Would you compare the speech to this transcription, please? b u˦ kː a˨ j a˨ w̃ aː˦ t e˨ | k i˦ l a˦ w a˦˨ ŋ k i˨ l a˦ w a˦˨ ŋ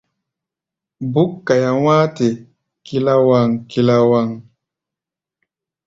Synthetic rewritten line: b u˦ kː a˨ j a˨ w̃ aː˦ t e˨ | k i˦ l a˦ w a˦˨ ŋ k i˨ l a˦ w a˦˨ ŋ